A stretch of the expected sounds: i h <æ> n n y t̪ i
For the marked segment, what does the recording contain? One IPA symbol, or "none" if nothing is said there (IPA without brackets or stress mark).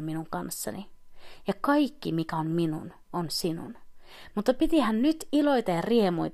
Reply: æ